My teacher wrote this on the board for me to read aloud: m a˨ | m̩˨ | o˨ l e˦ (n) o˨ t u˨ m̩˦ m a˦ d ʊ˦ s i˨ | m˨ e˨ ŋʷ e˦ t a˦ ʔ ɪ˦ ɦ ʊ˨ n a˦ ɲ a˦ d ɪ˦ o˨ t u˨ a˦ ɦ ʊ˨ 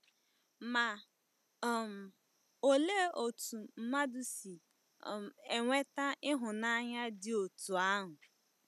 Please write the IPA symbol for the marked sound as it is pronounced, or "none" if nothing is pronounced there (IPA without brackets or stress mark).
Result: none